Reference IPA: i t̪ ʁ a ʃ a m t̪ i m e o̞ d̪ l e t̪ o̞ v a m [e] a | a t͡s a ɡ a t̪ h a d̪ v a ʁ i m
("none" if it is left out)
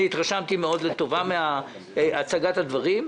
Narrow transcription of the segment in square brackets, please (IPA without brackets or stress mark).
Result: e